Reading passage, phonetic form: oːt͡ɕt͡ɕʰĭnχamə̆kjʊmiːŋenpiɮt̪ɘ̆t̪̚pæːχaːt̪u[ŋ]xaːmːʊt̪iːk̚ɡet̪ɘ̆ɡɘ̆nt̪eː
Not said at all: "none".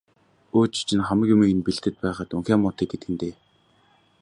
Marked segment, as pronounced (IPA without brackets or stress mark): ŋ